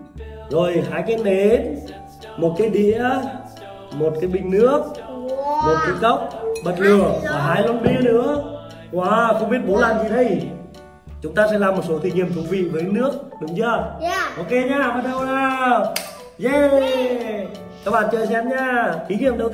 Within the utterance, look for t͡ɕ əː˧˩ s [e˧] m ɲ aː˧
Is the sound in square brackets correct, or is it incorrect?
incorrect